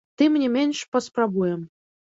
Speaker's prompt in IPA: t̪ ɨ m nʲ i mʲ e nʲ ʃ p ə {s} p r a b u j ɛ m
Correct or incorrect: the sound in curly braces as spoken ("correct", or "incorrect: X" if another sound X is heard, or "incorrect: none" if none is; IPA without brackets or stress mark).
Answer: correct